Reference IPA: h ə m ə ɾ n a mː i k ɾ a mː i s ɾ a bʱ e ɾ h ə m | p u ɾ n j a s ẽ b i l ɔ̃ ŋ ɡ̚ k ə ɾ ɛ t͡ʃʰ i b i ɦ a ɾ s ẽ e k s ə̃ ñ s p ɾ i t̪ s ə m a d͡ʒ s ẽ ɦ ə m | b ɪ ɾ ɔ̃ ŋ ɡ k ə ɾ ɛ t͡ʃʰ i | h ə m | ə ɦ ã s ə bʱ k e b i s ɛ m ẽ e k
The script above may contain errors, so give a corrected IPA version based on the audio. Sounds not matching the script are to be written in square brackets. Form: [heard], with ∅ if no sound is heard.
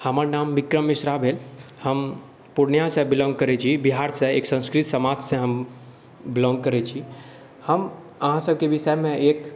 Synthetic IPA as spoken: h ə m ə ɾ n a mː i k ɾ [ə] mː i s ɾ a bʱ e [l] h ə m | p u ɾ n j a s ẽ b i l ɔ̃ ŋ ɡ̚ k ə ɾ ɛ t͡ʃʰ i b i ɦ a ɾ s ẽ e k s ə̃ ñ s [k] ɾ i t̪ s ə m a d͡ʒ s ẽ ɦ ə m | b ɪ [l] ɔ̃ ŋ ɡ k ə ɾ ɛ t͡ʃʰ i | h ə m | ə ɦ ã s ə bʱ k e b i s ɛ m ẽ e k